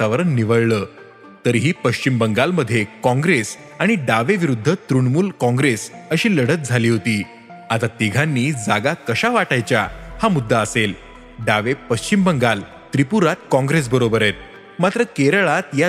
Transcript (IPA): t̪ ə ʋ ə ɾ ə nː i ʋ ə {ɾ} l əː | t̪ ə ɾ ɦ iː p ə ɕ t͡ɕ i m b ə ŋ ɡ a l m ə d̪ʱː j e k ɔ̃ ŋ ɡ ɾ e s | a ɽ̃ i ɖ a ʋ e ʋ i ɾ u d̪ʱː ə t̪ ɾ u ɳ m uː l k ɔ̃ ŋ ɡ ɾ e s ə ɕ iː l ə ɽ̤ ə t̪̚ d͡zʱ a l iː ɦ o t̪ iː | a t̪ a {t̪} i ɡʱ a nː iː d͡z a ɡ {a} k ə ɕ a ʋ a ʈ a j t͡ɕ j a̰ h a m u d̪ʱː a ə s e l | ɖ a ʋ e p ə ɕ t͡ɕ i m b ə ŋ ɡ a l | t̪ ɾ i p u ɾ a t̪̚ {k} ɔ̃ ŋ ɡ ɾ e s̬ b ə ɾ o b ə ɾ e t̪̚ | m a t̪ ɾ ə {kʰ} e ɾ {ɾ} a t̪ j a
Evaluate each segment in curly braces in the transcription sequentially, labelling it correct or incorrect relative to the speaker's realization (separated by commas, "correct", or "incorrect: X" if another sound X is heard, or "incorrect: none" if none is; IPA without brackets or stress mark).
incorrect: ɭ, correct, correct, correct, incorrect: k, incorrect: ɭ